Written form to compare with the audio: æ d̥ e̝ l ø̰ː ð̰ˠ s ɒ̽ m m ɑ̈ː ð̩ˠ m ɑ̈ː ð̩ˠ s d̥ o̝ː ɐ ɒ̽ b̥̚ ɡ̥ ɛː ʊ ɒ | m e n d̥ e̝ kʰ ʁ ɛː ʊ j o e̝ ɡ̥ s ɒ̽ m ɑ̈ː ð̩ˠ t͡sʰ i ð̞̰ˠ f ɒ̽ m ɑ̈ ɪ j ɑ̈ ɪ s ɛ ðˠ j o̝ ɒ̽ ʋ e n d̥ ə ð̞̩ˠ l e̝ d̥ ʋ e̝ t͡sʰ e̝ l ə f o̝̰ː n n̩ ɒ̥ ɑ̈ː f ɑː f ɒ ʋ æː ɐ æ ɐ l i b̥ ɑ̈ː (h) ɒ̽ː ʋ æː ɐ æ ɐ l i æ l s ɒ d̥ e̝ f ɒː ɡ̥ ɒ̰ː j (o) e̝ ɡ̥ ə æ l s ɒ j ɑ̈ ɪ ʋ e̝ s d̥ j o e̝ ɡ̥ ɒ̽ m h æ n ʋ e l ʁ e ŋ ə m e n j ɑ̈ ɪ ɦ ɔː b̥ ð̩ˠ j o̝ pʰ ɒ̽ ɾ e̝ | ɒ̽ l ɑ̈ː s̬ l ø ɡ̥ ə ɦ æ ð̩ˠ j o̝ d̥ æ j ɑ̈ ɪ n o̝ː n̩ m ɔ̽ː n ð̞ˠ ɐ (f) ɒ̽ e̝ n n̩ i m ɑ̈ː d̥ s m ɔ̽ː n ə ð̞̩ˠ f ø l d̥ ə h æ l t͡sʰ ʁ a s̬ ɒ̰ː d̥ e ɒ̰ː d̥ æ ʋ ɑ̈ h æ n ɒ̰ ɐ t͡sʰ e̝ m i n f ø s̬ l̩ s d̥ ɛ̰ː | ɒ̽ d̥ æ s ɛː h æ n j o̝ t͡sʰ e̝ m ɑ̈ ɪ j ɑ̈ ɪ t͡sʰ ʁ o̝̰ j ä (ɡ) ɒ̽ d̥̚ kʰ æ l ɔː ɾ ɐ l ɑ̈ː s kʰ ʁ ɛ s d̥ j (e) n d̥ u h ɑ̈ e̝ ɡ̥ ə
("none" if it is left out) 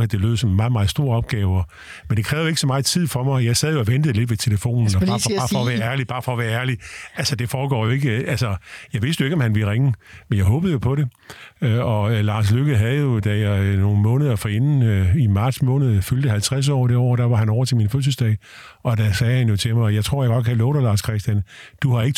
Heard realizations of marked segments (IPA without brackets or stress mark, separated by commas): f, o, f, ɡ, æ